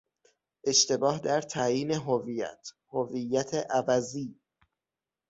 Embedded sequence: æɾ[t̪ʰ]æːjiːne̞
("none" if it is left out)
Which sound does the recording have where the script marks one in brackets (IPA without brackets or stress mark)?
t̪ʰ